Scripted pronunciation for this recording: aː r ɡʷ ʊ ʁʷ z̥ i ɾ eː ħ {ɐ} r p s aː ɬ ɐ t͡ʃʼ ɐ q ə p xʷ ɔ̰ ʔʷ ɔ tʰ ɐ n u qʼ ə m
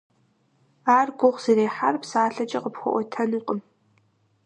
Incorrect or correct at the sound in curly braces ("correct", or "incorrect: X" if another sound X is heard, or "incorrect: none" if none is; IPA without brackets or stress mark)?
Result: incorrect: a